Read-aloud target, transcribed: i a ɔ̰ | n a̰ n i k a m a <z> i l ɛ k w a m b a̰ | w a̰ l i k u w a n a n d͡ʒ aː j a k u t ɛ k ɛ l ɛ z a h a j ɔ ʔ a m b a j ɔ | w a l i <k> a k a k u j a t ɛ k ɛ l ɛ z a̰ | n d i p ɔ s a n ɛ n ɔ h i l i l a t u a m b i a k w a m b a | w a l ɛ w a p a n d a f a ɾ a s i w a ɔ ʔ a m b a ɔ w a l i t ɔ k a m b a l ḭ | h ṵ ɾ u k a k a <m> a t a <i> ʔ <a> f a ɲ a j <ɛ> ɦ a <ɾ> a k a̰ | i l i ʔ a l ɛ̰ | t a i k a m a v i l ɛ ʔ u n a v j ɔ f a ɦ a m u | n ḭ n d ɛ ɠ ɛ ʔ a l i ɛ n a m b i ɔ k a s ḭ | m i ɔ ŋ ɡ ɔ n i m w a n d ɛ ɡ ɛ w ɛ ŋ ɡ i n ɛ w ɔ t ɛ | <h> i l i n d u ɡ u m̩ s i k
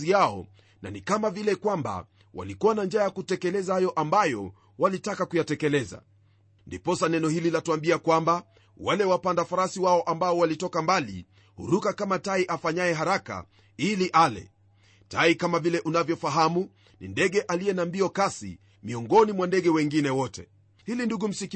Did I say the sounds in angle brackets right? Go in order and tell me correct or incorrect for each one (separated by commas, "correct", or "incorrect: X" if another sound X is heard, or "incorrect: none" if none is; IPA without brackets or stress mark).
incorrect: v, incorrect: t, correct, correct, correct, correct, correct, correct